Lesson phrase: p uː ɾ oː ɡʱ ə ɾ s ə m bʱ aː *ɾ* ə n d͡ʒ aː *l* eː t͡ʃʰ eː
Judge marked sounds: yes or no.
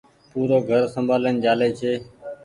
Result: no, yes

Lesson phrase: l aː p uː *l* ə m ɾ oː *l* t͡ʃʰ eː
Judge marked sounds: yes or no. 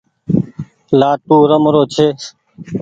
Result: no, no

